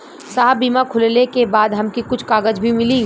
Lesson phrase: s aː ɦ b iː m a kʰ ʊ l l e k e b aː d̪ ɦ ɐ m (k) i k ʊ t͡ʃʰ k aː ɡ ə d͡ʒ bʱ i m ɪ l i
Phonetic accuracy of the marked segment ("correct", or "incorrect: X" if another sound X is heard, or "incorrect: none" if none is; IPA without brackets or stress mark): correct